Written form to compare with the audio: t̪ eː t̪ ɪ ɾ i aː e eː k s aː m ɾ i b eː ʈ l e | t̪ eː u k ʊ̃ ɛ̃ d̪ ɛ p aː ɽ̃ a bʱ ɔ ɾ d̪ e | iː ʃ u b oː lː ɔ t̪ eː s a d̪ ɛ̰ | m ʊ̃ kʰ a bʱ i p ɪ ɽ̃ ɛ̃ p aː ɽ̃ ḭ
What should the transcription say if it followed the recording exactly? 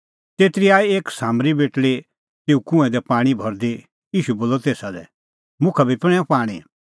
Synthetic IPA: t̪ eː t̪ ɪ ɾ i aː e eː k s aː m ɾ i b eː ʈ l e | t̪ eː u k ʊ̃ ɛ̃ d̪ ɛ p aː ɽ̃ i bʱ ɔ ɾ d̪ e | iː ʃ u b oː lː ɔ t̪ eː s a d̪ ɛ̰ | m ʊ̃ kʰ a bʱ i p ɪ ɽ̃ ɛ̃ p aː ɽ̃ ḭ